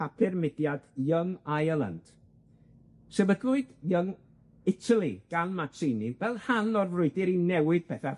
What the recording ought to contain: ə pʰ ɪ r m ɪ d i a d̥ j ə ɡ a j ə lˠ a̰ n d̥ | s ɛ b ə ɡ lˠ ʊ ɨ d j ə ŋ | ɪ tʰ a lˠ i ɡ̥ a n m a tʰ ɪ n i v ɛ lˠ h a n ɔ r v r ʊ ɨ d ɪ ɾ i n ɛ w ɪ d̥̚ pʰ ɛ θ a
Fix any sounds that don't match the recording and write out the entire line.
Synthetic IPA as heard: a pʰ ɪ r m ɪ d j a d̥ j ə ŋ a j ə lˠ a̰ n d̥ | s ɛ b ə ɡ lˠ ʊ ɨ d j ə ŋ | ɪ tʰ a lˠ i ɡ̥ a n m a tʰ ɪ n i v ɛ lˠ h a n ɔ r v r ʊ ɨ d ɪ ɾ i n ɛ w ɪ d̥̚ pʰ ɛ θ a